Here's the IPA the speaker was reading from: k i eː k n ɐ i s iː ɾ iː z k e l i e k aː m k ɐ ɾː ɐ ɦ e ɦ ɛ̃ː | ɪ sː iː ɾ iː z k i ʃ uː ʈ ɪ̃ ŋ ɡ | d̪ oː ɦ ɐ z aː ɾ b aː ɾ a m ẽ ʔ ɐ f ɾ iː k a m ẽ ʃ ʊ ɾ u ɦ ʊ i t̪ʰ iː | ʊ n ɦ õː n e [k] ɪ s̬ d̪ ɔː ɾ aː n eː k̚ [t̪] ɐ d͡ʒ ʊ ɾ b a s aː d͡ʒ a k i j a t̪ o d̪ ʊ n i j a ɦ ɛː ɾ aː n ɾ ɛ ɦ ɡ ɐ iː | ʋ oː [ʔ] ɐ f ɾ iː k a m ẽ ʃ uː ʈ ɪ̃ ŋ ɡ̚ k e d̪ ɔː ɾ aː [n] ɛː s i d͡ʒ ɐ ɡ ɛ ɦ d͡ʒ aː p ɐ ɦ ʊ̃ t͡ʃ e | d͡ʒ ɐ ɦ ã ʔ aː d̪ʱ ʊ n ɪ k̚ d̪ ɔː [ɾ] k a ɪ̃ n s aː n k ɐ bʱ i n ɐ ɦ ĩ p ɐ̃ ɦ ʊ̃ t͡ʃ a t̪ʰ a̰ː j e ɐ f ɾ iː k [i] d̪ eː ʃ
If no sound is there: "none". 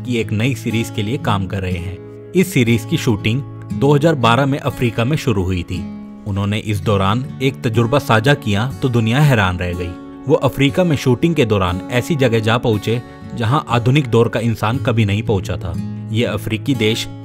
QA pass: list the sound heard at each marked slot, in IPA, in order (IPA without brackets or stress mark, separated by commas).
ʔ, t̪, ʔ, n, ɾ, i